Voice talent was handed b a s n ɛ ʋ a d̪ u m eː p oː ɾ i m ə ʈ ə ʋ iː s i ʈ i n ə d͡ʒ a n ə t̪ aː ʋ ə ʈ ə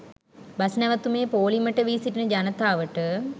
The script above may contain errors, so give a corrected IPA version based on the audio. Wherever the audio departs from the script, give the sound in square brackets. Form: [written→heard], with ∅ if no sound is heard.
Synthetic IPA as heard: b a s n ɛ ʋ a [d̪→t̪] u m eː p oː [ɾ→l] i m ə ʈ ə ʋ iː s i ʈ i n ə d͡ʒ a n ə t̪ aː ʋ ə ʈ ə